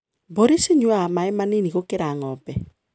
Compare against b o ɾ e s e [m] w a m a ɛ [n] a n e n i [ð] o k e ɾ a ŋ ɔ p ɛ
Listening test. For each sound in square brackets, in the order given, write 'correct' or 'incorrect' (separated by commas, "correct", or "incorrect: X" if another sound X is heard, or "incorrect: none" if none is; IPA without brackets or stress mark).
incorrect: ɲ, incorrect: m, incorrect: ɣ